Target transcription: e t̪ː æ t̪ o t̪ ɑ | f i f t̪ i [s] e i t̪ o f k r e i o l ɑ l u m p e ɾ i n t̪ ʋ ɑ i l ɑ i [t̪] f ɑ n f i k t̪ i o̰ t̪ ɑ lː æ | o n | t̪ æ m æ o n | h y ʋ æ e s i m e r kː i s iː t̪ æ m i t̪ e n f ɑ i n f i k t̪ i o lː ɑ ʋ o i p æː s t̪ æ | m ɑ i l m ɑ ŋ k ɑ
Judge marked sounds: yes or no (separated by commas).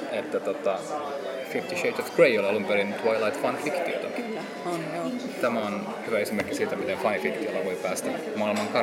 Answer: no, yes